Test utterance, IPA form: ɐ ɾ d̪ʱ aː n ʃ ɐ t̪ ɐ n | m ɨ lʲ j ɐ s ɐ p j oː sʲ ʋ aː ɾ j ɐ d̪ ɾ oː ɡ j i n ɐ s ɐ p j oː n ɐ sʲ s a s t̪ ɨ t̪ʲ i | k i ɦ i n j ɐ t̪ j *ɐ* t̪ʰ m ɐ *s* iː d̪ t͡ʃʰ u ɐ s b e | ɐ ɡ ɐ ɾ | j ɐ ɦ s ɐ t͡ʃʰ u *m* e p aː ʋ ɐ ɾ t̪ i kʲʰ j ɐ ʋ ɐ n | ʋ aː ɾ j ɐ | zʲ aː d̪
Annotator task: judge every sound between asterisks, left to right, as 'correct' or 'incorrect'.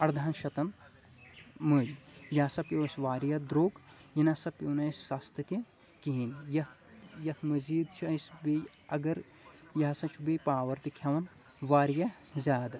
correct, incorrect, incorrect

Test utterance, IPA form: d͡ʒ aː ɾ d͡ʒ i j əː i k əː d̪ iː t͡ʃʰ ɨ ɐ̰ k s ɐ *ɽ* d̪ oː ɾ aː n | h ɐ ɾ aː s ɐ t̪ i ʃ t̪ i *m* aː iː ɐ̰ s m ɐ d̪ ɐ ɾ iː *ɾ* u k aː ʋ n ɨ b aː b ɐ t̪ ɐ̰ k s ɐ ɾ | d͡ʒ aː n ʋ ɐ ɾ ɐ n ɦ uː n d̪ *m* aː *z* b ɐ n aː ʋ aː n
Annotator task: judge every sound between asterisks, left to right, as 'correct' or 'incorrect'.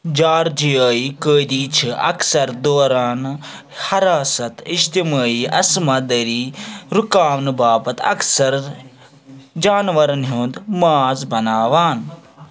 incorrect, correct, correct, correct, correct

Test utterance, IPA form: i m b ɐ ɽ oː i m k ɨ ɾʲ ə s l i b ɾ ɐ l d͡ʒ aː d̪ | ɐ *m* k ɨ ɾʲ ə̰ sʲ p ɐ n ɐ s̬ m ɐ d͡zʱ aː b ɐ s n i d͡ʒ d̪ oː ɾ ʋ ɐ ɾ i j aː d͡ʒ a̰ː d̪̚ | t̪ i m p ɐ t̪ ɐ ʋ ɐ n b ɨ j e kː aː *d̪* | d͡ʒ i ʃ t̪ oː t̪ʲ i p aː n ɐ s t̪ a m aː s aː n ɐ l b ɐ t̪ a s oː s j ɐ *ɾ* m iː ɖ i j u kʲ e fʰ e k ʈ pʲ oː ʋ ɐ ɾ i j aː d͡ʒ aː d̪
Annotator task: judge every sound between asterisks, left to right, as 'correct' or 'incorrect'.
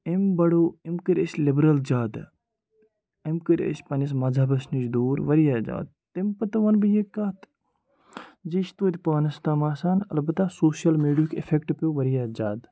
correct, incorrect, incorrect

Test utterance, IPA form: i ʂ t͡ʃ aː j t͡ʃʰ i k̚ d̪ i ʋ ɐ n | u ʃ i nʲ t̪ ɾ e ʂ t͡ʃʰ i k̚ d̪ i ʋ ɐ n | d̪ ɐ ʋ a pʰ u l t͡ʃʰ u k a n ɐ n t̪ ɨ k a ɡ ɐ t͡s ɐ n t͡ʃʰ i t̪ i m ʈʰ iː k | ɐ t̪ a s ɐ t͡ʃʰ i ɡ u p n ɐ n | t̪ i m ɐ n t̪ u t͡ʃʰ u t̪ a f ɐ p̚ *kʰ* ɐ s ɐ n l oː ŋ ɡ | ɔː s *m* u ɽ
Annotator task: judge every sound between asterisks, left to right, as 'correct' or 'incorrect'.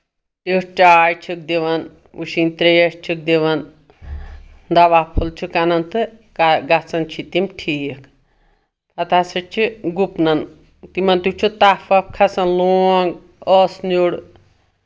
correct, incorrect

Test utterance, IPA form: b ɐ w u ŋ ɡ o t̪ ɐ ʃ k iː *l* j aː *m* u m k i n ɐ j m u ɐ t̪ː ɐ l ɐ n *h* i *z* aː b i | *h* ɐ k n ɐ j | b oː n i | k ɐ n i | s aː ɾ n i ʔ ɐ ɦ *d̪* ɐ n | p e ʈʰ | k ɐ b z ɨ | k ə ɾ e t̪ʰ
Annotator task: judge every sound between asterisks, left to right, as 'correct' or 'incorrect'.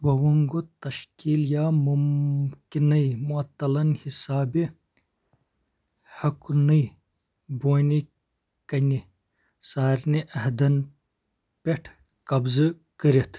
correct, correct, correct, incorrect, correct, correct

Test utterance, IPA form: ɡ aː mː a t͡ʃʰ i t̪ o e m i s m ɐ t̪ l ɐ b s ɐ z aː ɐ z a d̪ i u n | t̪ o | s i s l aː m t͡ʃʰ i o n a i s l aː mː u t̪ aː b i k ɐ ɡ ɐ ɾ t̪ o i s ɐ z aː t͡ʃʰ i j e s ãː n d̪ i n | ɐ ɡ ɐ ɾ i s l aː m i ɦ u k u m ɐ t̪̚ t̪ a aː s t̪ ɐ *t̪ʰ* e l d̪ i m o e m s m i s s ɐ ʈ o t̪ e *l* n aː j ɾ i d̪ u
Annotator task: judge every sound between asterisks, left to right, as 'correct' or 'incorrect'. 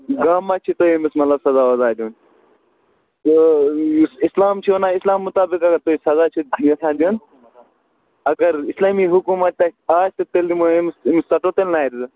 incorrect, correct

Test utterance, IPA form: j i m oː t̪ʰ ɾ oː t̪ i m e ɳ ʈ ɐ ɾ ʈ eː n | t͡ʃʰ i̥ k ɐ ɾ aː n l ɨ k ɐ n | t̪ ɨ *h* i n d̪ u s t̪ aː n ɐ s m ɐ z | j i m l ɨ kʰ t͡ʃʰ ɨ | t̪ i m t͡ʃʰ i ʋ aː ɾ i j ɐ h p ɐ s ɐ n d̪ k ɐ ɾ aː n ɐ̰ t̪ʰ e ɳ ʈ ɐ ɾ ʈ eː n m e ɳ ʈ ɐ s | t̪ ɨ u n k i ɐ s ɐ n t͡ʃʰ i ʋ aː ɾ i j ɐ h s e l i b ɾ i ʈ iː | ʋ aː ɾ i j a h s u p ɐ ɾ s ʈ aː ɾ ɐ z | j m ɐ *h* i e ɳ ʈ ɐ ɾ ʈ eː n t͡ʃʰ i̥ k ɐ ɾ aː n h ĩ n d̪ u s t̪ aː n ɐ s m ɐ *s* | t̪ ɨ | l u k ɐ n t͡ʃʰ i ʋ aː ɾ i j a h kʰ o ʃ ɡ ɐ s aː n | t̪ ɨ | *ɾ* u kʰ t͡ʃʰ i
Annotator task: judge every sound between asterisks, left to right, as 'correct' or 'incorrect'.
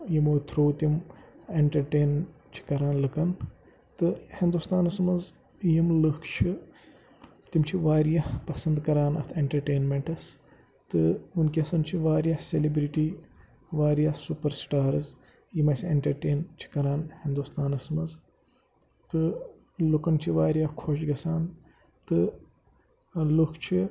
correct, incorrect, incorrect, incorrect

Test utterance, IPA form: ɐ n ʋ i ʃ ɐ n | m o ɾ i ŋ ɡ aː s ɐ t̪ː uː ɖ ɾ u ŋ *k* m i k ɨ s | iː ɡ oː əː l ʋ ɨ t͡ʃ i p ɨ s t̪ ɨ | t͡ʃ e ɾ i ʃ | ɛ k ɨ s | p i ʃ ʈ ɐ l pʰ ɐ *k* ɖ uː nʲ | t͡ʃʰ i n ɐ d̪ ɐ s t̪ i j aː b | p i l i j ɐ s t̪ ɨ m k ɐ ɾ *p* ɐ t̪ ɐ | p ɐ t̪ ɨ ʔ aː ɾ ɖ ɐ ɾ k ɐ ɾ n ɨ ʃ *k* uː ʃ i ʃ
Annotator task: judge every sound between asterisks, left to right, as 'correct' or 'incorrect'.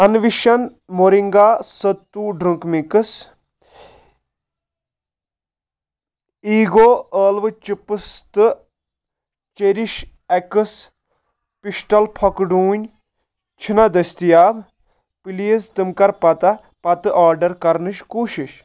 correct, correct, correct, correct

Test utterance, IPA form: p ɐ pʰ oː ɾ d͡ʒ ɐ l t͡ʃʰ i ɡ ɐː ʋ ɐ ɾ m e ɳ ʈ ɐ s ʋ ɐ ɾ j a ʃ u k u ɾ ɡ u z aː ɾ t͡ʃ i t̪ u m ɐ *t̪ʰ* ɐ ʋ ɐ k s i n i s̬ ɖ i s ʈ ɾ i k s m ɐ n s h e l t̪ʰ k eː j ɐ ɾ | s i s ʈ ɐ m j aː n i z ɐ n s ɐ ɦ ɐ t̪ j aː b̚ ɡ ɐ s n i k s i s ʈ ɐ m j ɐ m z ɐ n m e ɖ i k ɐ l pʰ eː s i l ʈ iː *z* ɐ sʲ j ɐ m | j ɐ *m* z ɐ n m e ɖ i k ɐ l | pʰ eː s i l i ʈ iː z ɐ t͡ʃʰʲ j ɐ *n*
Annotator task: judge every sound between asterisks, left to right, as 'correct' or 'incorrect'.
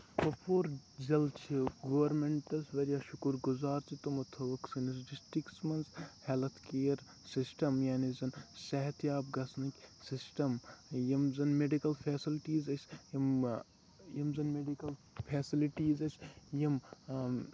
correct, correct, correct, incorrect

